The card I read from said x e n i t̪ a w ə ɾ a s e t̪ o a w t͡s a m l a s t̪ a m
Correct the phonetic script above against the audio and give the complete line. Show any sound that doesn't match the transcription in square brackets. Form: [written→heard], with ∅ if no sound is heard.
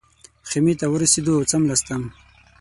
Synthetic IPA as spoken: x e [n→m] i t̪ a w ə ɾ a s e [t̪→d̪] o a w t͡s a m l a s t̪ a m